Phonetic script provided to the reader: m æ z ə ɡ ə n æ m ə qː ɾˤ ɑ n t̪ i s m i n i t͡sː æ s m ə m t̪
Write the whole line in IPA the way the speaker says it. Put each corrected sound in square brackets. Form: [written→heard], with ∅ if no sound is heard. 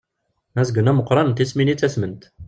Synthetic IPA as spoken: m æ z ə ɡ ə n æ m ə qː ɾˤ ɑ n t̪ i s m i n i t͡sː æ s m ə [m→n] t̪